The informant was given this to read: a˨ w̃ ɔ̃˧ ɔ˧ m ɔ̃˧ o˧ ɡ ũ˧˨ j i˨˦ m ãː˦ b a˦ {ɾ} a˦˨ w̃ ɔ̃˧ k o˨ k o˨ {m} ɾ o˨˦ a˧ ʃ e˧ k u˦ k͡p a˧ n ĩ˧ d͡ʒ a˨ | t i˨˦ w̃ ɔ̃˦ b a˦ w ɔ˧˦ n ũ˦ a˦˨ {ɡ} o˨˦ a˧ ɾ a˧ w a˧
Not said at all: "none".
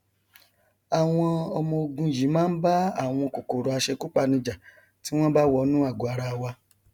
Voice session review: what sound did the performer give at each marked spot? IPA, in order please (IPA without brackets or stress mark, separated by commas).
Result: none, none, ɡ